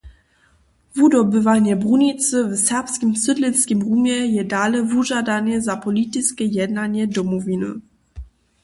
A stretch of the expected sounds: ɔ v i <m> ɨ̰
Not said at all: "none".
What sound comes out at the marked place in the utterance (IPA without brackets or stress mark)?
n